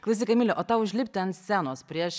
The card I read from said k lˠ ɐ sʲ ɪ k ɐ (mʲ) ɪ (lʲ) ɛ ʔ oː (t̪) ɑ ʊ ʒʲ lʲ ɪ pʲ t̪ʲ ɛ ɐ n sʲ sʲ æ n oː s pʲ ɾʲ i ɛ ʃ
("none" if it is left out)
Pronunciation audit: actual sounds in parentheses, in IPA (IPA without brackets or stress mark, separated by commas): mʲ, lʲ, t̪